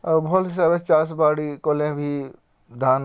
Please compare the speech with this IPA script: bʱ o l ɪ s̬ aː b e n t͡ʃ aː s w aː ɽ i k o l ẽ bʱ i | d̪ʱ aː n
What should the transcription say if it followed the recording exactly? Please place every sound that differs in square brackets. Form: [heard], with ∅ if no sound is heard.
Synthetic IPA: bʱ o l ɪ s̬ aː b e [∅] t͡ʃ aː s [b] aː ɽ i k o l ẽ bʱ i | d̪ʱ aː n